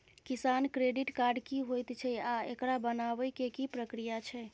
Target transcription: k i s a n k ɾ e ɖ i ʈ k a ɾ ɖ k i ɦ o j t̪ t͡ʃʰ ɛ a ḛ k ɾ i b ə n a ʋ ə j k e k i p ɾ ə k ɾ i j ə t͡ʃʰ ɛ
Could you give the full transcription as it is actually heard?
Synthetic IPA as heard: k i s a n k ɾ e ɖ i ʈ k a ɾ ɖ k i ɦ o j t̪ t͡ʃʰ ɛ a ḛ k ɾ a b ə n a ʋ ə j k e k i p ɾ ə k ɾ i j a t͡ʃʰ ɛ